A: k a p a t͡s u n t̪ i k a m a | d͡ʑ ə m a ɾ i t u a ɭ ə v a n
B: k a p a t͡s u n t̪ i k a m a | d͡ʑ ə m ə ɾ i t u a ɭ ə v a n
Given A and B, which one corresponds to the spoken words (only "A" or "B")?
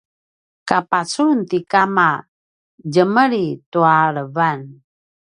B